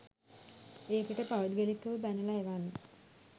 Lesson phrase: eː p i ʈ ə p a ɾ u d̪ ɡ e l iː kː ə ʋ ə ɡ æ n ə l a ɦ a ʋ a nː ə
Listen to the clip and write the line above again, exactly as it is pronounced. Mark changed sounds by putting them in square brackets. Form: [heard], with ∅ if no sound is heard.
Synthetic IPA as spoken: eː [k] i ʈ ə p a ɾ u d̪ ɡ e l [i] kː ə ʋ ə [b] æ n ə l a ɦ [e] ʋ a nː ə